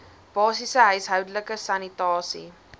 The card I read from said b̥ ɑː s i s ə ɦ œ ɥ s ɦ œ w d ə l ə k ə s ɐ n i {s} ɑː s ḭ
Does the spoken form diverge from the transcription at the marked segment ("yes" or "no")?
yes